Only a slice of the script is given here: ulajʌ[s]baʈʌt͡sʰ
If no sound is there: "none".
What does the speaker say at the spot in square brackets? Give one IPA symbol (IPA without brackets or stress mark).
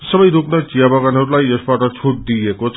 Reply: s